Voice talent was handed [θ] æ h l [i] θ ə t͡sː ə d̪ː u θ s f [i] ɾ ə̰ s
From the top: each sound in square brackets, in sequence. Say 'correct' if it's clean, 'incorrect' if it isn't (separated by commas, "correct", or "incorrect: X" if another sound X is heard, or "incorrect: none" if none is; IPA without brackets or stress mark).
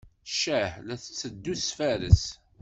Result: incorrect: ʃ, incorrect: æ, incorrect: æ